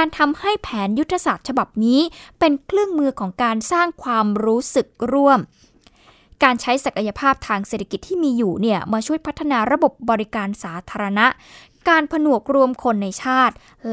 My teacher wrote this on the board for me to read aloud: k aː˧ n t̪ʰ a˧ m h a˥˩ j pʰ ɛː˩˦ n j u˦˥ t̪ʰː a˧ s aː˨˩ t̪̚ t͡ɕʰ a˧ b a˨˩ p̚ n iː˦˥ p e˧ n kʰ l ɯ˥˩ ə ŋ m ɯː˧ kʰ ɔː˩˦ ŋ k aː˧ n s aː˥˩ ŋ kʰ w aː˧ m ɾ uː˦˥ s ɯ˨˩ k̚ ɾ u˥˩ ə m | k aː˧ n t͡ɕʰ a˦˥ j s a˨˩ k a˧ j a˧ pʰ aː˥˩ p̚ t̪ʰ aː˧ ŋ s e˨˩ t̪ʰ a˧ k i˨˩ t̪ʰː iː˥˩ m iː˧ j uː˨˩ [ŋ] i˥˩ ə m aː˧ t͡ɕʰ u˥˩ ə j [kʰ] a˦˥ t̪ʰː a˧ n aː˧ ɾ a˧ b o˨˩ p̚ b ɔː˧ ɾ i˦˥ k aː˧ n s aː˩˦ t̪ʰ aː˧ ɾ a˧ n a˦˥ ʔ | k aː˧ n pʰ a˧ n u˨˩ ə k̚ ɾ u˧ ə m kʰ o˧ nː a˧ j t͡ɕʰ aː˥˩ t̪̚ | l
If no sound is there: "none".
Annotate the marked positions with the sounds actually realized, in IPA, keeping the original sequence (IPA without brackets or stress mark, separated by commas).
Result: n, pʰ